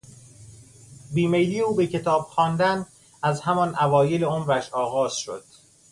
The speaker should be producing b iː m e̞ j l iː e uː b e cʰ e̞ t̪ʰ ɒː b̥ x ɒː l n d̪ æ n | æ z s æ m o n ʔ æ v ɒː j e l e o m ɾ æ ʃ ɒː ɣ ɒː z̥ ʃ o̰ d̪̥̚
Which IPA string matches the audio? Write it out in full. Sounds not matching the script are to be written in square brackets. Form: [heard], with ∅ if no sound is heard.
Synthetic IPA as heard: b iː m e̞ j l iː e uː b e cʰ e̞ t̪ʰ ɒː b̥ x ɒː [∅] n d̪ æ n | æ z [h] æ m [ɒ] n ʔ æ v ɒː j e l e o m ɾ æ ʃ ɒː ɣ ɒː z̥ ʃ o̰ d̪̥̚